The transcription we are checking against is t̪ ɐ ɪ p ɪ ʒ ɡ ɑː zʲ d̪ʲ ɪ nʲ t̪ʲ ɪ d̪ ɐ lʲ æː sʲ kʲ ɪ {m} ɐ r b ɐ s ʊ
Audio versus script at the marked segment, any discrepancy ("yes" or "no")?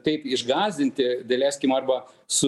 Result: no